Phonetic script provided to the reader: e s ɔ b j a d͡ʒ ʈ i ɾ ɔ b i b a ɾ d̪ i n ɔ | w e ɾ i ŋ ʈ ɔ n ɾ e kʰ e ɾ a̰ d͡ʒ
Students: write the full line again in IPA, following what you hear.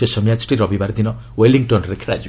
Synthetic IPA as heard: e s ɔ m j a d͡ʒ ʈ i ɾ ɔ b i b a ɾ d̪ i n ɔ | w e l i ŋ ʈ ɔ n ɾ e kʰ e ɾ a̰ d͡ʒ